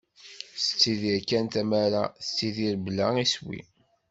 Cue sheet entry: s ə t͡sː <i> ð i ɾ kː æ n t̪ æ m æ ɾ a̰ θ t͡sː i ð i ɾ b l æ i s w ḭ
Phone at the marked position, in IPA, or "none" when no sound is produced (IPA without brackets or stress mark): i